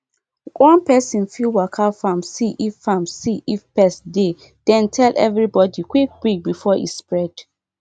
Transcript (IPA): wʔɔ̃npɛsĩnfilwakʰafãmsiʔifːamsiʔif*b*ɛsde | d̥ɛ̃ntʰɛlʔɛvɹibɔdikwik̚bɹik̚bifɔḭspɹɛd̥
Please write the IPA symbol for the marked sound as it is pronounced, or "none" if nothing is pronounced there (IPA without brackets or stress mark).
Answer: p